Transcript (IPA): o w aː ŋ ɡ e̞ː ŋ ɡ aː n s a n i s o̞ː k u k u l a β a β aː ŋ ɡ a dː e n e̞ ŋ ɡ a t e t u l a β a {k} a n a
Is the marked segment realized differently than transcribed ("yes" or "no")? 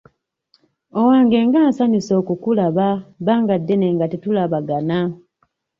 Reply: yes